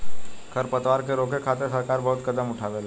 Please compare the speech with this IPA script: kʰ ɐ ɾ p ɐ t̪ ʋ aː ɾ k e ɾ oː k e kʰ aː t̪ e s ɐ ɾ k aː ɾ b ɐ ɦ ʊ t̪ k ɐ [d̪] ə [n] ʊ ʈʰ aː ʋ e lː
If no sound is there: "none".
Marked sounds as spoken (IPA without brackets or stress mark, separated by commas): d̪, m